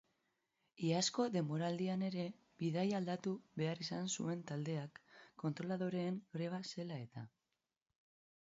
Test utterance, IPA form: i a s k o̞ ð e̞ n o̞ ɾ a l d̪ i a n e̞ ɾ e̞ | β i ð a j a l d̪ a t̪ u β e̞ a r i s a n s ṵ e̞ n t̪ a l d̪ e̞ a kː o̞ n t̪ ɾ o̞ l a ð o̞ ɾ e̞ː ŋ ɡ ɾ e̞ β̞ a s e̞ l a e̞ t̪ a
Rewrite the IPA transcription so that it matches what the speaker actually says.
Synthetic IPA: i a s k o̞ ð e̞ m o̞ ɾ a l d̪ i a n e̞ ɾ e̞ | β i ð a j a l d̪ a t̪ u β e̞ a r i s a n s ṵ e̞ n t̪ a l d̪ e̞ a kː o̞ n t̪ ɾ o̞ l a ð o̞ ɾ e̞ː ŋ ɡ ɾ e̞ β̞ a s e̞ l a e̞ t̪ a